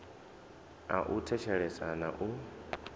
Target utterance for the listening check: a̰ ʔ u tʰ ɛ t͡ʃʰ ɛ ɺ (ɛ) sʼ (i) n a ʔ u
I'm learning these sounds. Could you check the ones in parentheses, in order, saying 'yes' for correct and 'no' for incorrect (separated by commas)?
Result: yes, no